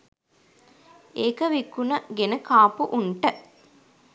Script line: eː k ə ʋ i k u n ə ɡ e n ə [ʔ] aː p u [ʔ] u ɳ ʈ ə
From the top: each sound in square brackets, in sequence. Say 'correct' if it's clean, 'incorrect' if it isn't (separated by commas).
incorrect, correct